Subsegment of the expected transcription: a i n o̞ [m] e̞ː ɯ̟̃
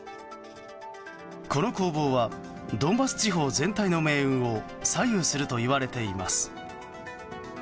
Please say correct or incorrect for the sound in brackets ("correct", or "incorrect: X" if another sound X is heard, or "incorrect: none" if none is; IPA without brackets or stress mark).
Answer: correct